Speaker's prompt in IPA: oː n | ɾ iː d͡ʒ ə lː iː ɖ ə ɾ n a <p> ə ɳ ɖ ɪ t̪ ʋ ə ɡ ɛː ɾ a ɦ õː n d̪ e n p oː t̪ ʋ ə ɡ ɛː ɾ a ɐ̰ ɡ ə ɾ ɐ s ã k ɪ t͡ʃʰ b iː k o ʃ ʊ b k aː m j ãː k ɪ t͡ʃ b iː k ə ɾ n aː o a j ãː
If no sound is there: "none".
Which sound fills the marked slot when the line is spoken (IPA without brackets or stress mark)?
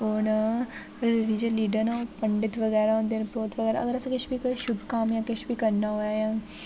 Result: p